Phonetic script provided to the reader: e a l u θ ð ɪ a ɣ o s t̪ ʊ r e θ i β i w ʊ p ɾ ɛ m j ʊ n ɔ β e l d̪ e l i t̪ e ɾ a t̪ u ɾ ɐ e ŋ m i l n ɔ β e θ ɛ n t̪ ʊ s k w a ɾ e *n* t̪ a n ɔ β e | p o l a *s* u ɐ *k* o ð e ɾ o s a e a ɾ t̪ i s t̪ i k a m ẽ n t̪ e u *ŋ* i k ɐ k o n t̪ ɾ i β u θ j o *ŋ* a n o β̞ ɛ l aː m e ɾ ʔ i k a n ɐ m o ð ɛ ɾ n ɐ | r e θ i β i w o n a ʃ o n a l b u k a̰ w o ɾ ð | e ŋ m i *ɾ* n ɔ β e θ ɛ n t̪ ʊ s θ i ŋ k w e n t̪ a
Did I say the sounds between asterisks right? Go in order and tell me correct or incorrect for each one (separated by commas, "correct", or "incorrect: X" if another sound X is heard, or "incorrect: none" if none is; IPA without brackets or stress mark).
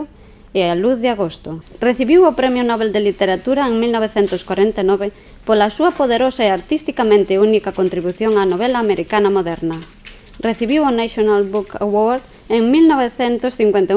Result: correct, correct, incorrect: p, incorrect: n, correct, incorrect: l